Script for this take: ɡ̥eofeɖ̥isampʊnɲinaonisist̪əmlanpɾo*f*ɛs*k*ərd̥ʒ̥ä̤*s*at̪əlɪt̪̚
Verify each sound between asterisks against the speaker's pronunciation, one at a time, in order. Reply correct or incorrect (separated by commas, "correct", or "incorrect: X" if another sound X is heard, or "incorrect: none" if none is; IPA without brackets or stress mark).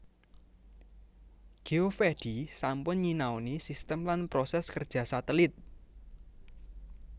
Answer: incorrect: s, correct, correct